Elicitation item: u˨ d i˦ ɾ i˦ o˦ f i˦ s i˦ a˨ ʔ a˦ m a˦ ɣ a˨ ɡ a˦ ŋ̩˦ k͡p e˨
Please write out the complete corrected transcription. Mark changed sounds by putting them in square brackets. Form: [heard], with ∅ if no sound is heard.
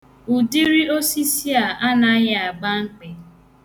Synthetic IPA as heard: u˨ d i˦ ɾ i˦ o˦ [s] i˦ s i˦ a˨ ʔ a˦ [n] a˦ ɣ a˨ [ɡ͡b] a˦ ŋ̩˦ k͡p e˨

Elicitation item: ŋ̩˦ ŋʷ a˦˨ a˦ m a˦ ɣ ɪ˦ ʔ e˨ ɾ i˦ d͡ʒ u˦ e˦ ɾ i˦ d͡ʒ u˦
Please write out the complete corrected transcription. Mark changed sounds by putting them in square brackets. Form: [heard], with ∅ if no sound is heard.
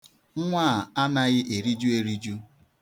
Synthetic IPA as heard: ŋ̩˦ ŋʷ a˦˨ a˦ [n] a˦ ɣ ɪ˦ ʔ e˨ ɾ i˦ d͡ʒ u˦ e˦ ɾ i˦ d͡ʒ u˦

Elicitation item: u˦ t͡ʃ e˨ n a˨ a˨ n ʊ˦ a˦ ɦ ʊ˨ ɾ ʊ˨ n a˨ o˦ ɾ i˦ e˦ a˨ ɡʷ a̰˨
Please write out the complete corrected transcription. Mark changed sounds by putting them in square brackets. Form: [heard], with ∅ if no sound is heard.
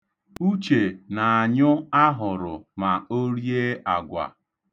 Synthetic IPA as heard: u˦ t͡ʃ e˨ n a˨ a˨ [ɲ] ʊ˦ a˦ ɦ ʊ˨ ɾ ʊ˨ [m] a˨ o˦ ɾ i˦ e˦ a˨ ɡʷ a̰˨

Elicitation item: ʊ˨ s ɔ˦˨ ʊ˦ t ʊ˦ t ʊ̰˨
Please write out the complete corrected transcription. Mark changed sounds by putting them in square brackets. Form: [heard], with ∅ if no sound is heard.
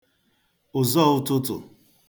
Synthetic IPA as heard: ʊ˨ [z] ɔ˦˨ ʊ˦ t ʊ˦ t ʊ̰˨

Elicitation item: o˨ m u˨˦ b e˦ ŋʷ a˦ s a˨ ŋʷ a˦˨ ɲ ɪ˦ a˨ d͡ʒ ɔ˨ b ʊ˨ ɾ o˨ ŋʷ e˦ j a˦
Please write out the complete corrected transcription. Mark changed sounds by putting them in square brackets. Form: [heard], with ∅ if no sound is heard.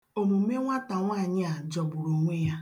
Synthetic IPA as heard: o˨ m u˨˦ [m] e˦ ŋʷ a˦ [t] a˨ ŋʷ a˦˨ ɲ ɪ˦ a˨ d͡ʒ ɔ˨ b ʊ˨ ɾ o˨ ŋʷ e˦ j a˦

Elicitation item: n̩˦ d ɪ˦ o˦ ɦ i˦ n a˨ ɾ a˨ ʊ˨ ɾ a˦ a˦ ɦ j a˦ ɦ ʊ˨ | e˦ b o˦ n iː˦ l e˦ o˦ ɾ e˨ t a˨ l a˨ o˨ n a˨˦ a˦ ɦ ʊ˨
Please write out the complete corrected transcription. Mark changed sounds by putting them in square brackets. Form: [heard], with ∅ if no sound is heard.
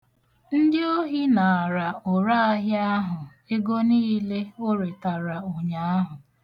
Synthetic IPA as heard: n̩˦ d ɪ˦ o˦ ɦ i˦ n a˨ ɾ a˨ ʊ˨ ɾ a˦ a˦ ɦ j a˦ ɦ ʊ˨ | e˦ [ɡ] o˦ n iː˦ l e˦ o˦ ɾ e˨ t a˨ [ɾ] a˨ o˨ [ɲ] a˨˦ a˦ ɦ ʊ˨

